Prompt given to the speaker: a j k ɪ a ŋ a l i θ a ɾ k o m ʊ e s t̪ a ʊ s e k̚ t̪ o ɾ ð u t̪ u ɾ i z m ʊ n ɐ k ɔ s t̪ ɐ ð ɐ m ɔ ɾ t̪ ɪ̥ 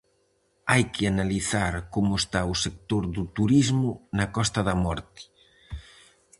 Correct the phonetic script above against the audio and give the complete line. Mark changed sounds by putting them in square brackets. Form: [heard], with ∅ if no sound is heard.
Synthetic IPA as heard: a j k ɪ a [n] a l i θ a ɾ k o m ʊ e s t̪ a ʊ s e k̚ t̪ o ɾ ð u t̪ u ɾ i z m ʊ n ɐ k ɔ s t̪ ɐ ð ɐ m ɔ ɾ t̪ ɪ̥